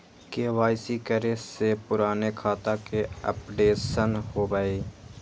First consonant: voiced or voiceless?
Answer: voiceless